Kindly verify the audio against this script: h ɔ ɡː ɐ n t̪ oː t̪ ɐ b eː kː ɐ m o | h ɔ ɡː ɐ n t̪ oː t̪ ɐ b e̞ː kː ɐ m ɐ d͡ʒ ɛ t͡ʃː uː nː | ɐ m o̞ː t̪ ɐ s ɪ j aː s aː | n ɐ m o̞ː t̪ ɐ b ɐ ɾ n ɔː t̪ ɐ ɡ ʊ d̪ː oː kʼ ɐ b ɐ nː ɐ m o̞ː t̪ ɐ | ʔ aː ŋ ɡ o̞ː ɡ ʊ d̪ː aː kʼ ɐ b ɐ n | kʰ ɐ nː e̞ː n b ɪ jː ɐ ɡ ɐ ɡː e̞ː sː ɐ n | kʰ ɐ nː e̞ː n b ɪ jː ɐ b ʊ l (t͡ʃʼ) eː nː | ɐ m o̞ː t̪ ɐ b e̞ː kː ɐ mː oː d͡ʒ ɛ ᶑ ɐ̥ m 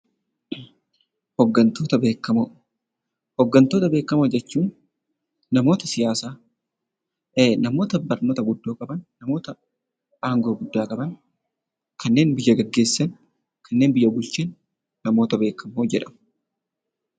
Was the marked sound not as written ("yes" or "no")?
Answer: yes